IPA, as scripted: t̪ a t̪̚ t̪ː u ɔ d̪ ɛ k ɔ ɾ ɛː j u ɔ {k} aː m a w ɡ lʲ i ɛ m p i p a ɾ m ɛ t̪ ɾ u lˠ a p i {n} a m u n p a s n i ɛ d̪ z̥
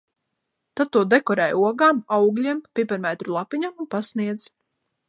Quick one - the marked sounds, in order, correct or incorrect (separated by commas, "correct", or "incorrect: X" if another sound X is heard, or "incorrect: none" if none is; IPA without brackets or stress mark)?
incorrect: ɡ, incorrect: ɲ